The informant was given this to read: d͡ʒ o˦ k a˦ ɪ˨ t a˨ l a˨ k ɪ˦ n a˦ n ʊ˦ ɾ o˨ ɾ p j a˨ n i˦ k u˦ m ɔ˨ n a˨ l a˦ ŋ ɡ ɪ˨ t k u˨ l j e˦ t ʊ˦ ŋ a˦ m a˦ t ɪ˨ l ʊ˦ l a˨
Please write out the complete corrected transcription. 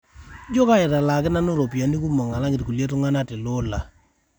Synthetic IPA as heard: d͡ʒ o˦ k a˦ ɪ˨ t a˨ l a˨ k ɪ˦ n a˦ n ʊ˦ ɾ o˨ p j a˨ n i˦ k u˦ m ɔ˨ ŋ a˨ l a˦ ŋ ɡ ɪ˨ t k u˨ l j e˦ t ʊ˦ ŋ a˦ n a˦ t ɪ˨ l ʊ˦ l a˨